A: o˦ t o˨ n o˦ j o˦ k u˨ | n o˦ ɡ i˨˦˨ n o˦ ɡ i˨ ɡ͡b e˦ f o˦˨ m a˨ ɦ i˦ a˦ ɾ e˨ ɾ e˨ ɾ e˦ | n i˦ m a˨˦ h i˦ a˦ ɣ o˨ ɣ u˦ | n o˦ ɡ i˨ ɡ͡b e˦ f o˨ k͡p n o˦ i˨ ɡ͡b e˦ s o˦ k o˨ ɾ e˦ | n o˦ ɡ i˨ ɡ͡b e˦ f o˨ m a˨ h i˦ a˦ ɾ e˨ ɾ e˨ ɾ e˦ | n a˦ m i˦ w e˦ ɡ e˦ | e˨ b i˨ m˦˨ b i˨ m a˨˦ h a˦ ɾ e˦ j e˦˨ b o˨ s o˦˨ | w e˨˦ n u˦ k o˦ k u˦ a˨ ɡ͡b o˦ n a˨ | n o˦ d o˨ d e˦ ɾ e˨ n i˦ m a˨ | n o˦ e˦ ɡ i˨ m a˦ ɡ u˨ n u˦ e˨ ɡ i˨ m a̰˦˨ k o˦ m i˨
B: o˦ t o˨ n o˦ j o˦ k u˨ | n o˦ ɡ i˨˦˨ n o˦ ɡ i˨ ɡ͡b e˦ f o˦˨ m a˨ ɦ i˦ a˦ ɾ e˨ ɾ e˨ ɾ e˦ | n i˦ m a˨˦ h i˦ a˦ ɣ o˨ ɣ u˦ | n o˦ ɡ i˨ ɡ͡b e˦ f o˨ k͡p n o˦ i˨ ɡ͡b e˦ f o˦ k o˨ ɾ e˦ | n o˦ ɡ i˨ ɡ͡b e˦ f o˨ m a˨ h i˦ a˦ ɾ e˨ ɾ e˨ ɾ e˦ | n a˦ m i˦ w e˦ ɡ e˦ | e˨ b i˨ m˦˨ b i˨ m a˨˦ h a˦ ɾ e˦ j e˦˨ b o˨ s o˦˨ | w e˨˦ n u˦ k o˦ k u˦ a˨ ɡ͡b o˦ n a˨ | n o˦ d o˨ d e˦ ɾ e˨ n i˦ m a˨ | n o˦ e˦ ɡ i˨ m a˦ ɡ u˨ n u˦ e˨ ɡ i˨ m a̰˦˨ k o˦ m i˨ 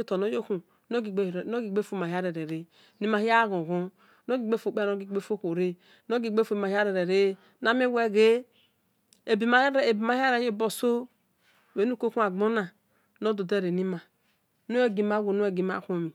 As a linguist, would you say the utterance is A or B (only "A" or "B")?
B